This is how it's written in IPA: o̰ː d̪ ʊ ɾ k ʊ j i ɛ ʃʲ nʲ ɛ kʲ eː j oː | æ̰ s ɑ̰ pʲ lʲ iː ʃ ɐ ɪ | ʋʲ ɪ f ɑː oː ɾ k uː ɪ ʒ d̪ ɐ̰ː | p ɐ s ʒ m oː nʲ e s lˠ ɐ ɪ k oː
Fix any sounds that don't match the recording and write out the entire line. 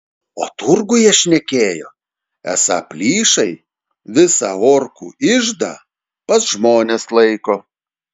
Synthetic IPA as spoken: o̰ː t̪ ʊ ɾ ɡ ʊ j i ɛ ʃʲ nʲ ɛ kʲ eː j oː | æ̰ s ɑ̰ pʲ lʲ iː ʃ ɐ ɪ | ʋʲ ɪ s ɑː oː ɾ k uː ɪ ʒ d̪ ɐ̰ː | p ɐ s ʒ m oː nʲ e s lˠ ɐ ɪ k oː